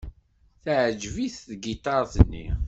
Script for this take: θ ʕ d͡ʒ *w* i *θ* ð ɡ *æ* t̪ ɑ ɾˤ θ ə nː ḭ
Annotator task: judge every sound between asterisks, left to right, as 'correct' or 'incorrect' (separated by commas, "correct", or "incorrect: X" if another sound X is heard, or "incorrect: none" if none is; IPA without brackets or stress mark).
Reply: incorrect: v, correct, incorrect: i